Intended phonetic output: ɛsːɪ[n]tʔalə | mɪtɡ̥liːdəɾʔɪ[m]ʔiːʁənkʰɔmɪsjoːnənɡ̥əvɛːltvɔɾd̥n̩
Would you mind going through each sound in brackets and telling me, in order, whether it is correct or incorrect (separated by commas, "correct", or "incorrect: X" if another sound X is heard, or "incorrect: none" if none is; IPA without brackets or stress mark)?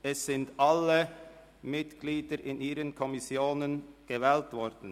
correct, incorrect: n